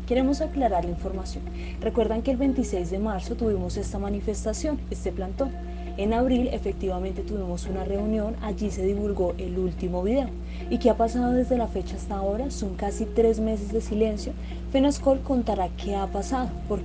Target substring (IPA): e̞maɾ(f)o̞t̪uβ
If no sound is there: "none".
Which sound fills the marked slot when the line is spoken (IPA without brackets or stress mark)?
s